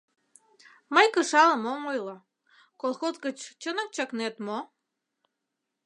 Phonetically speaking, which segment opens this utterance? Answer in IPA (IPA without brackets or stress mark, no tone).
m